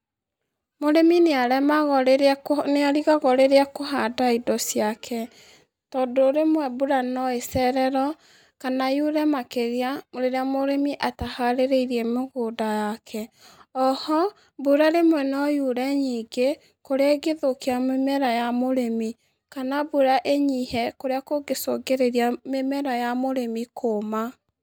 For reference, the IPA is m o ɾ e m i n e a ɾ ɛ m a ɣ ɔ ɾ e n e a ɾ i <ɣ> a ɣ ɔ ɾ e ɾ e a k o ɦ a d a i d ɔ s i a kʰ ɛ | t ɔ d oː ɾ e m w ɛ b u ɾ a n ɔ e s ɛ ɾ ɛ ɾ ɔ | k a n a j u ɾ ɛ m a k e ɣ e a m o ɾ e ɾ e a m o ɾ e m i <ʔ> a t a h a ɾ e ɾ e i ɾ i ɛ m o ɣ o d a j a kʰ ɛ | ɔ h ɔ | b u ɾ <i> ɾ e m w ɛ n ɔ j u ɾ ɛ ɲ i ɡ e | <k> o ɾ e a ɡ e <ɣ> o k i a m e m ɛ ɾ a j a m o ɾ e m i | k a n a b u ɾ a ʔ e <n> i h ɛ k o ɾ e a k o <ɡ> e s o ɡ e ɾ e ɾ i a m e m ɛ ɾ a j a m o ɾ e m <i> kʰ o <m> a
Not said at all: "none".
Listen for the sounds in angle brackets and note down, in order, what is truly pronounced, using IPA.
ɣ, ʔ, a, k, ð, ɲ, ɡ, i, m

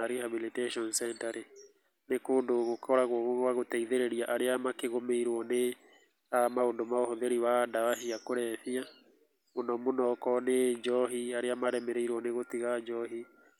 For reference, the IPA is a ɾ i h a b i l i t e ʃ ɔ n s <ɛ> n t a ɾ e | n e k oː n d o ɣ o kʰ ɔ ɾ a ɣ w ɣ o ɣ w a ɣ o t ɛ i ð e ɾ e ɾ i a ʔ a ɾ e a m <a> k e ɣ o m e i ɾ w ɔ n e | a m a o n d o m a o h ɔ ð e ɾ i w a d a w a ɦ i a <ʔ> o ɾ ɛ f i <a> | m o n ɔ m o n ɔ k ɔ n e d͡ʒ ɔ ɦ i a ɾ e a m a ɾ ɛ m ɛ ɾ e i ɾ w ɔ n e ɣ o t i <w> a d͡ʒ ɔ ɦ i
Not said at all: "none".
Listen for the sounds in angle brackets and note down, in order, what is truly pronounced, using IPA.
ɛ, a, k, a, ɣ

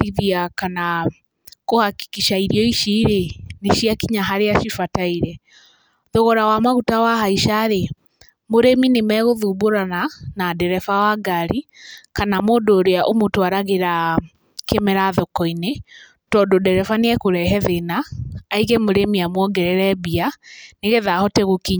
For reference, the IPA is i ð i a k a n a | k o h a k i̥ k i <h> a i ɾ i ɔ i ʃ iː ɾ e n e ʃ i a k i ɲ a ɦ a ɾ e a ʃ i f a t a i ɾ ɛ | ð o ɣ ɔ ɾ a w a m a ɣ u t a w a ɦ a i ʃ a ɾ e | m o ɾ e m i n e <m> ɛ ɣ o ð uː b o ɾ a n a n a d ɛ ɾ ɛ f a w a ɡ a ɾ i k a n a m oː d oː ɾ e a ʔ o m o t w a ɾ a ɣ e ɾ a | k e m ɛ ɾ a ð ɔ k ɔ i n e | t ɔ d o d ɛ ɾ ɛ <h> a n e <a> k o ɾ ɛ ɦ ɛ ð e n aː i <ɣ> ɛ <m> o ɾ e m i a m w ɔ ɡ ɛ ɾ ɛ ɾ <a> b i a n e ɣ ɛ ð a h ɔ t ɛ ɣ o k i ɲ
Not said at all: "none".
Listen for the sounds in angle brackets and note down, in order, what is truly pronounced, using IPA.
ʃ, m, f, ɛ, ɣ, m, ɛ

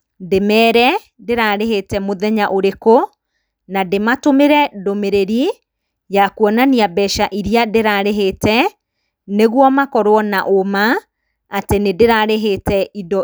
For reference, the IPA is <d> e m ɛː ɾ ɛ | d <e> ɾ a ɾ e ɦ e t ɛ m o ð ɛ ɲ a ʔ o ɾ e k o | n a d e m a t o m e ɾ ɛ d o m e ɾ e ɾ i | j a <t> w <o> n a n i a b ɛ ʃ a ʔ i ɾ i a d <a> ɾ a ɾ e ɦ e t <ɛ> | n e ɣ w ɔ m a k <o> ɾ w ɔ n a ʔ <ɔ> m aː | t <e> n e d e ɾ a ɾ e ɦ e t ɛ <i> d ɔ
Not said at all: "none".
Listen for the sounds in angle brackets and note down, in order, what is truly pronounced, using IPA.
d, e, k, ɔ, e, ɛ, ɔ, o, e, i

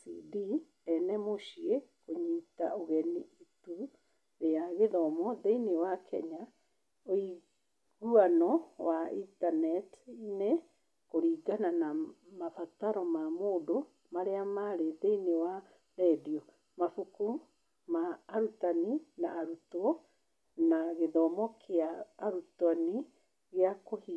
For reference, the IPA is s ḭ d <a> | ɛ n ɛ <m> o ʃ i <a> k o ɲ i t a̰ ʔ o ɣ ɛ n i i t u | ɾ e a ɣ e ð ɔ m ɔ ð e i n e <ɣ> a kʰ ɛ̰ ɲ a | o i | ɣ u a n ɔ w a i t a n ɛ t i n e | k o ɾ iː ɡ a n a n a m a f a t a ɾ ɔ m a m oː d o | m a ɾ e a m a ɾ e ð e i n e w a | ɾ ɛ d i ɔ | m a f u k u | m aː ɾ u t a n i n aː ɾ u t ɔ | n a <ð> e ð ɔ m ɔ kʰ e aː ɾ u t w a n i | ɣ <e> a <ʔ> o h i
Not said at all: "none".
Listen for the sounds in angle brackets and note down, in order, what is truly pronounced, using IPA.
i, m, e, w, ɣ, e, k

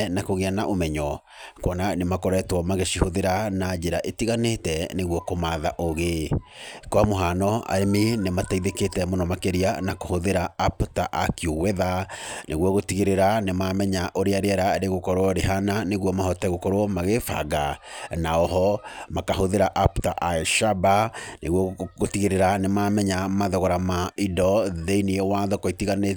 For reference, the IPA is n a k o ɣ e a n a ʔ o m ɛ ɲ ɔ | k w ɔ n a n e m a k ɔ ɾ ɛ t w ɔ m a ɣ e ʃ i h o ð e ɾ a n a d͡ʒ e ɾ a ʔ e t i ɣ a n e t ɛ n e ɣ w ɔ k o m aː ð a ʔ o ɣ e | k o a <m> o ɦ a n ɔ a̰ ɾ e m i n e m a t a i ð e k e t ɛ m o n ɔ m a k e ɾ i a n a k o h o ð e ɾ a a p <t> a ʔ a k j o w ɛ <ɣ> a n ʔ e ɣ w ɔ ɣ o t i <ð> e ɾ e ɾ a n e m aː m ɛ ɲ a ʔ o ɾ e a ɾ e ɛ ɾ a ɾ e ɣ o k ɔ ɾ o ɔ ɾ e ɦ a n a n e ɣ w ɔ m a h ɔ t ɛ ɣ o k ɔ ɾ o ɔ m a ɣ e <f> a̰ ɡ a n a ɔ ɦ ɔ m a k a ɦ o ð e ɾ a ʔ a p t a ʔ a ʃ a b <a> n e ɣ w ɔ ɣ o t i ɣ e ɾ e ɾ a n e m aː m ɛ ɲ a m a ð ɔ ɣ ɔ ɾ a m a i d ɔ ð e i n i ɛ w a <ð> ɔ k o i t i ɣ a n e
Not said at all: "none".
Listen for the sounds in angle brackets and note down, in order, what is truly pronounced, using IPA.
m, t, ð, ɣ, f, a, ð

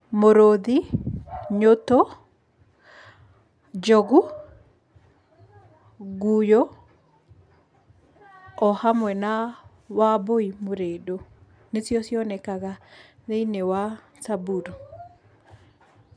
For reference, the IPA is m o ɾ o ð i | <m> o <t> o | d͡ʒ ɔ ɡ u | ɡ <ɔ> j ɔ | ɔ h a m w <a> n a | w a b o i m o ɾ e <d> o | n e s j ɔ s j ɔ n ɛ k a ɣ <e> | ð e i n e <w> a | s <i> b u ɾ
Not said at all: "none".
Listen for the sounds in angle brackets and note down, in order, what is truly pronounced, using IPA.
ɲ, t, u, ɛ, d, a, w, a

